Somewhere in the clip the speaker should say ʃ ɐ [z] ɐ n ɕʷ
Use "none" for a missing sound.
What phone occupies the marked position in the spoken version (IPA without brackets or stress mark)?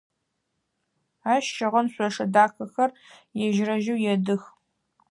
ʁ